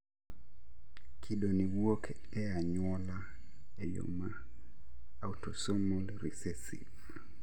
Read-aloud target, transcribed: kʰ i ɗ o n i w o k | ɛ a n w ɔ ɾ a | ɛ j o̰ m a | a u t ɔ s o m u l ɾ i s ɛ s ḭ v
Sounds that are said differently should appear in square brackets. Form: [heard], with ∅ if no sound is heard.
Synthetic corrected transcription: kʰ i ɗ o n i w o k | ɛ a [ɲ] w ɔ [l] a | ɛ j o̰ m a | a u t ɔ s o m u l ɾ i s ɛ s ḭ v